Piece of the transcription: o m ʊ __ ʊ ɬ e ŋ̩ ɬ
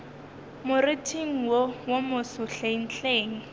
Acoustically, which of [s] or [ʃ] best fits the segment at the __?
s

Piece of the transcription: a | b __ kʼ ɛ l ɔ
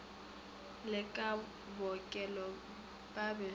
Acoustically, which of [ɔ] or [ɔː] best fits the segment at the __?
ɔ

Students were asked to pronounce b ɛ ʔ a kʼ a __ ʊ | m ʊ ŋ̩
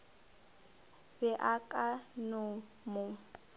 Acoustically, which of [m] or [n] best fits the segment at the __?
n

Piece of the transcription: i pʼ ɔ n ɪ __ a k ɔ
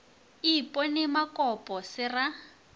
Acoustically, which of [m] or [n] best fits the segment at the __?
m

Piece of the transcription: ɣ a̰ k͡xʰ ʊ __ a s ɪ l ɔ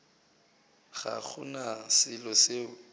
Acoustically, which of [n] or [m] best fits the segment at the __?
n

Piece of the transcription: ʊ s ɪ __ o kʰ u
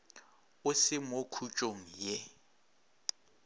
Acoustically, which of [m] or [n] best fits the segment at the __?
m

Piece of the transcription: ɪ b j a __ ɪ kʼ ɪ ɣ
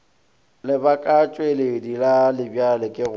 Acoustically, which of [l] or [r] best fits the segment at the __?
l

